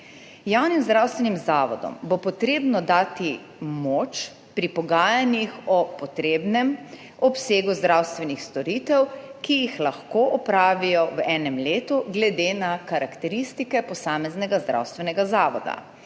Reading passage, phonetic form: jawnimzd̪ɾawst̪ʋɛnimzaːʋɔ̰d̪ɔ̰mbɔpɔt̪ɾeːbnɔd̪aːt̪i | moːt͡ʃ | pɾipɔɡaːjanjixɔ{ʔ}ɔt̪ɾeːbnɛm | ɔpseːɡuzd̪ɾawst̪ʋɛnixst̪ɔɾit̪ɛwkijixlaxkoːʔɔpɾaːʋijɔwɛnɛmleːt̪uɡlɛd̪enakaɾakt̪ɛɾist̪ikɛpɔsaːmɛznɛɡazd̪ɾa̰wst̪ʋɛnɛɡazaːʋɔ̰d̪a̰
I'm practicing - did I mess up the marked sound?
yes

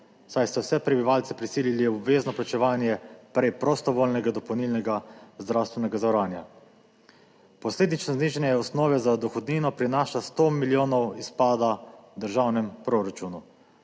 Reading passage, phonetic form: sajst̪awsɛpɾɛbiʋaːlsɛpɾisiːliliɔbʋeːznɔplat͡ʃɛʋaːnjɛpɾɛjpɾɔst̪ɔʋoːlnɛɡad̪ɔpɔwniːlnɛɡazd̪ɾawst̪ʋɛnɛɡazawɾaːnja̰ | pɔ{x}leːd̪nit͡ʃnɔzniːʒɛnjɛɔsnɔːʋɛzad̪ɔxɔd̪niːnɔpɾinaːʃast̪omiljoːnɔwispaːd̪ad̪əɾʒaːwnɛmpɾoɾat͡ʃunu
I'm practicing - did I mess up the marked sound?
yes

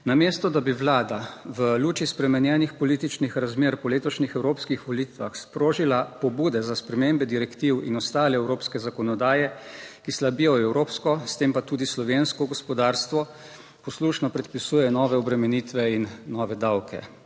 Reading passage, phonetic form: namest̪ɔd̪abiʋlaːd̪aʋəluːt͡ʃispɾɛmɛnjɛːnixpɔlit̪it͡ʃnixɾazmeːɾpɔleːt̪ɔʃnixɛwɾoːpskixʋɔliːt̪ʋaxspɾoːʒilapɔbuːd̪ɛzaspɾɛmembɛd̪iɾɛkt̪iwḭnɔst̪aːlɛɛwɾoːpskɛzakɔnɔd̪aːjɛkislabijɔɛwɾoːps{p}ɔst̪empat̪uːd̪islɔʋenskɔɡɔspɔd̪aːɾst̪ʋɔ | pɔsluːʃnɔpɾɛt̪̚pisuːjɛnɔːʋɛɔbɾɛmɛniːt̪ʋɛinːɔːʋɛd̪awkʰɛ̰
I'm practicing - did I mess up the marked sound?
yes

